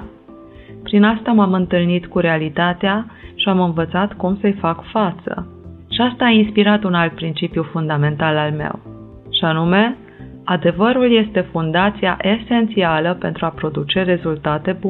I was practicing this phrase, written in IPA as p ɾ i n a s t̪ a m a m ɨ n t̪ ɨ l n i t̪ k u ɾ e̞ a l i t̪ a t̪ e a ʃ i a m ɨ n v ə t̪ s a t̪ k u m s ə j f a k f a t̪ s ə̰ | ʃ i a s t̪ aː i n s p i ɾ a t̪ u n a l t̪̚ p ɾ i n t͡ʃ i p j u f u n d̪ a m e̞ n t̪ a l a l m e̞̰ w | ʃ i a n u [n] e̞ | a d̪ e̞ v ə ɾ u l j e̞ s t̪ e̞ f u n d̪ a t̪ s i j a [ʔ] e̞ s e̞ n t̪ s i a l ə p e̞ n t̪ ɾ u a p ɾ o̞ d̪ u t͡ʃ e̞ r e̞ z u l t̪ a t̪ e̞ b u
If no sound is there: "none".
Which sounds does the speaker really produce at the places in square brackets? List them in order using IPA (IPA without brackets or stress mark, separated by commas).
m, ʔ